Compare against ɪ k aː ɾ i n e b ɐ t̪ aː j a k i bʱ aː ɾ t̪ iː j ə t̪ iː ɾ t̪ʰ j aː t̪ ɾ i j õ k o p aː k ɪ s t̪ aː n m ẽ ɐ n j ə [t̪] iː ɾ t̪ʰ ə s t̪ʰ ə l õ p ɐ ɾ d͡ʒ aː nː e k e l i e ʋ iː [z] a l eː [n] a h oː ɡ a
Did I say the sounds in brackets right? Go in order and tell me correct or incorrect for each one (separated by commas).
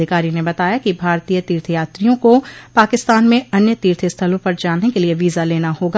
correct, correct, correct